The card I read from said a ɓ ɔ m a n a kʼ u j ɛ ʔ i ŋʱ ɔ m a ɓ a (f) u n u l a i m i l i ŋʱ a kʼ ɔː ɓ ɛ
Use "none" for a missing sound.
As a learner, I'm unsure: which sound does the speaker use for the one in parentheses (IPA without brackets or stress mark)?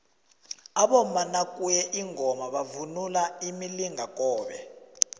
v